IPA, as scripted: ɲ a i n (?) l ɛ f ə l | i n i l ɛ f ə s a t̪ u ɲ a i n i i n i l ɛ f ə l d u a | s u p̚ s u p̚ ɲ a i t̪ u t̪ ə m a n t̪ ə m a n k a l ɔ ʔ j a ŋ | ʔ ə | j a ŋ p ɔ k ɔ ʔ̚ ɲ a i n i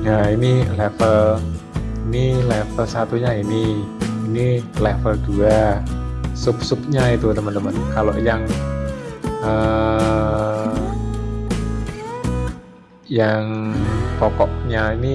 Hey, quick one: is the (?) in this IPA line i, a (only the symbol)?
i